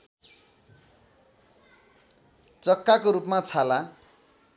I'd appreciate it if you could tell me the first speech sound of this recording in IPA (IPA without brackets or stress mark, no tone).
t͡s